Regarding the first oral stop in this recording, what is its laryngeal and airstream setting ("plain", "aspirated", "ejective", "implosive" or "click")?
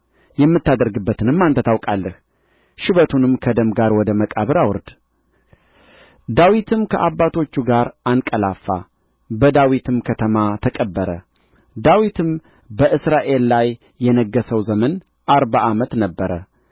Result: plain